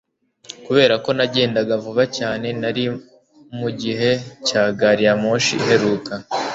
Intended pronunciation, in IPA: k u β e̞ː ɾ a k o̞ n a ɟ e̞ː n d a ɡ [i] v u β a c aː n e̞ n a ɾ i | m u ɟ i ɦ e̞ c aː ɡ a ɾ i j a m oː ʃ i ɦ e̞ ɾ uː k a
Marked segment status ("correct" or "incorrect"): incorrect